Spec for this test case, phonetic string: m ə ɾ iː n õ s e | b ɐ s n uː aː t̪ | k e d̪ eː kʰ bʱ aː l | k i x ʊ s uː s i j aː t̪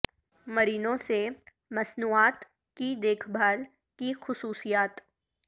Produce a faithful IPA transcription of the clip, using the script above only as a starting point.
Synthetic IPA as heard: m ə ɾ iː n õ s e | m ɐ s n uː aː t̪ | k i d̪ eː kʰ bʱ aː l | k i x ʊ s uː s i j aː t̪